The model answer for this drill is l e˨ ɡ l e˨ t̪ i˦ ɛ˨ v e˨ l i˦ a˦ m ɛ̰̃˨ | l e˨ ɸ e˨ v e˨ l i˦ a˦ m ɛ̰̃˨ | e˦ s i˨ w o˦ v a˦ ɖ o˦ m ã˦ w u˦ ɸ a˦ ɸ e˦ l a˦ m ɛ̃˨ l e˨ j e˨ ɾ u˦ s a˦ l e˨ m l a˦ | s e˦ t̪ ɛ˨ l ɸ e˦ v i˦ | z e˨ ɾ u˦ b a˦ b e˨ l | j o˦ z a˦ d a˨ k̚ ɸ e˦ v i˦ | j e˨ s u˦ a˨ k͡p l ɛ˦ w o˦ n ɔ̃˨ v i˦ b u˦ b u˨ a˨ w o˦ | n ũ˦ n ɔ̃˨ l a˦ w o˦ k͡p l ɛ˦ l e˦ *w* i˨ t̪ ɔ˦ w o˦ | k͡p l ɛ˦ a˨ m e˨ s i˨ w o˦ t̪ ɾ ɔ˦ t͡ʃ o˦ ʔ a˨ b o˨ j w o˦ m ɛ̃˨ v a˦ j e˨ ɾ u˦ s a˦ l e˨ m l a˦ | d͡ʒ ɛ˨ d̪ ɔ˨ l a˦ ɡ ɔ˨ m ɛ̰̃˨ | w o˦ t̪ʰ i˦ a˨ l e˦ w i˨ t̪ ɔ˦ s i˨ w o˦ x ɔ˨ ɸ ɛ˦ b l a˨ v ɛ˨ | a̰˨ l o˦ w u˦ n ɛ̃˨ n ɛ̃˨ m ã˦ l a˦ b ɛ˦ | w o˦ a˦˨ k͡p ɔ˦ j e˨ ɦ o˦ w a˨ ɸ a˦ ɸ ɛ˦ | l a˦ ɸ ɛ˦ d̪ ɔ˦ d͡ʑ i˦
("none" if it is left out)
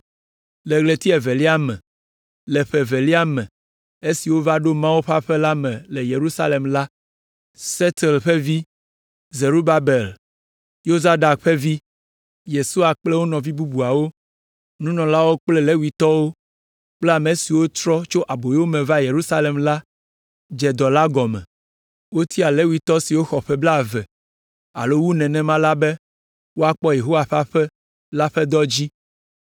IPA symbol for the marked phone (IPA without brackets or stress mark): w